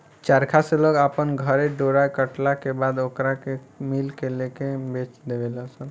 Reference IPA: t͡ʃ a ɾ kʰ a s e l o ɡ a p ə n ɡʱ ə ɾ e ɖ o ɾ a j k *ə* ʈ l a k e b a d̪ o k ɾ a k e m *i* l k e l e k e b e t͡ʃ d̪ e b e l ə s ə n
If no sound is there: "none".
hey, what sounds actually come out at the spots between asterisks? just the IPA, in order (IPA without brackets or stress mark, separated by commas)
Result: ə, i